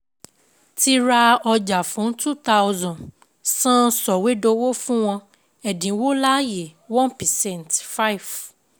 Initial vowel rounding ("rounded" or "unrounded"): unrounded